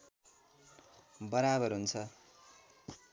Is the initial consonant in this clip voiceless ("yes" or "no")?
no